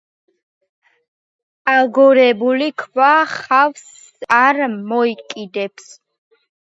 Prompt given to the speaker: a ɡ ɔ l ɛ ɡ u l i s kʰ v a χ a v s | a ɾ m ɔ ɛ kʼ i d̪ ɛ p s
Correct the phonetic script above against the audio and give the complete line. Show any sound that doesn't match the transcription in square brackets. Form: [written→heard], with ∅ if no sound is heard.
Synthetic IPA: a ɡ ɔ [l→ɾ] ɛ [ɡ→b] u l i [s→∅] kʰ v a χ a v s | a ɾ m ɔ [ɛ→i] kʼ i d̪ ɛ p s